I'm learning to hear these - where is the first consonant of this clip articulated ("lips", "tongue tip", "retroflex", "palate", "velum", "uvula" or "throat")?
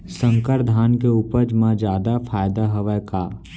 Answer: tongue tip